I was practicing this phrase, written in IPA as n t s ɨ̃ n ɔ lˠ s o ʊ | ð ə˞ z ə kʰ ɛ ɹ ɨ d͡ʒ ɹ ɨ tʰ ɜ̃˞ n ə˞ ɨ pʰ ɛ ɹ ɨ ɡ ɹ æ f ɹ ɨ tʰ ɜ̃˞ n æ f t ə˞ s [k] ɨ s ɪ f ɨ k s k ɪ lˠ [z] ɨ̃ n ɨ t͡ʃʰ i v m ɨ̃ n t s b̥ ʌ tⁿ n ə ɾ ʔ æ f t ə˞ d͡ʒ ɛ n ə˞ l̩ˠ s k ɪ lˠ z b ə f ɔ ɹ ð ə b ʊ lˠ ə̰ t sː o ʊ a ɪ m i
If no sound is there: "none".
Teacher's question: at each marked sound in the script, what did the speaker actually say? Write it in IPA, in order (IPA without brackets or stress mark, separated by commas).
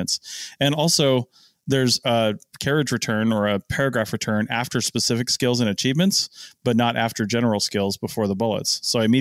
p, z